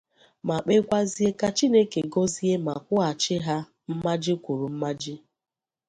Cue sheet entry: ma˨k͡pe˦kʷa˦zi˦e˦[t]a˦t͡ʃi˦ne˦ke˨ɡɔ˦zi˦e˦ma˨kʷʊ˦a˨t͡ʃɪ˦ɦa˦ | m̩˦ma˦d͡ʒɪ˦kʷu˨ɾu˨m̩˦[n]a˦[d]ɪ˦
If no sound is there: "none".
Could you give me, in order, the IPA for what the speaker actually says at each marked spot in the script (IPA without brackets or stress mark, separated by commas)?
k, m, d͡ʒ